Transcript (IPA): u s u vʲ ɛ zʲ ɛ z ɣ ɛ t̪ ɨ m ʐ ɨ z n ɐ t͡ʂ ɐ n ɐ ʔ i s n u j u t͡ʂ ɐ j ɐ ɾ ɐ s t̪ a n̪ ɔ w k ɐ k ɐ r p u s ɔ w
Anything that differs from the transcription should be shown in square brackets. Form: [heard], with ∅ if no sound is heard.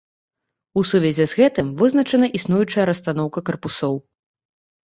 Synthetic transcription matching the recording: u s u vʲ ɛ zʲ ɛ z ɣ ɛ t̪ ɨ m [v] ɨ z n ɐ t͡ʂ ɐ n ɐ ʔ i s n u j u t͡ʂ ɐ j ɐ ɾ ɐ s t̪ a n̪ ɔ w k ɐ k ɐ r p u s ɔ w